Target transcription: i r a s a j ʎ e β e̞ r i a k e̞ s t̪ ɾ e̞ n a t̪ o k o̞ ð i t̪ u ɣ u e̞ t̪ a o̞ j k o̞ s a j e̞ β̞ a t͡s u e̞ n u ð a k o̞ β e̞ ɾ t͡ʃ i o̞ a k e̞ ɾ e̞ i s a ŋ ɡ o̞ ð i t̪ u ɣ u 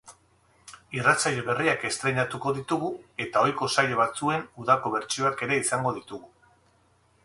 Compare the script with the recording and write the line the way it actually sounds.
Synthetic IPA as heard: i r a t͡s a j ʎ e β e̞ r i a k e̞ s t̪ ɾ e̞ ɲ a t̪ u k o̞ ð i t̪ u ɣ u e̞ t̪ a o̞ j k o̞ s a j e̞ β̞ a t͡s u e̞ n u ð a k o̞ β e̞ ɾ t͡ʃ i o̞ a k e̞ ɾ e̞ i s a ŋ ɡ o̞ ð i t̪ u ɣ u